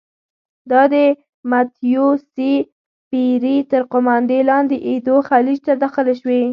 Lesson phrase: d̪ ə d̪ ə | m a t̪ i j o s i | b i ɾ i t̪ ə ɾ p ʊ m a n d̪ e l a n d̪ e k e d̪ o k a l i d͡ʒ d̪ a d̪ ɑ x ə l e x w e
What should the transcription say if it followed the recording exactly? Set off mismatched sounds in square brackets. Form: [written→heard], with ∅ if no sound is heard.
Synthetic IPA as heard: d̪ [ə→ɑ] d̪ ə | m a t̪ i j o s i | [b→p] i ɾ i t̪ ə ɾ [p→q] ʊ m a n d̪ e l [a→ɑ] n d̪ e [k→ʔ] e d̪ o [k→x] a l i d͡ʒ [d̪→t̪] a d̪ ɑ x ə l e [x→ʃ] w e